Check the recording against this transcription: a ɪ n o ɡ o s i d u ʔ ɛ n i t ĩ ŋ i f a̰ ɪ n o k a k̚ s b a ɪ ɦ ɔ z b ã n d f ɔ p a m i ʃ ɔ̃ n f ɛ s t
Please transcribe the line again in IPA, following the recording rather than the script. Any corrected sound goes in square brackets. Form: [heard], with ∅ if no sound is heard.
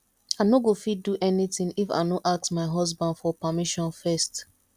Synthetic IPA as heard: a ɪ n o ɡ o [f] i d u ʔ ɛ n i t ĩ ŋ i f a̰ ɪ n o [ʔ] a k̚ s [m] a ɪ ɦ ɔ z b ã n d f ɔ p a m i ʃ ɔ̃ n f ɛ s t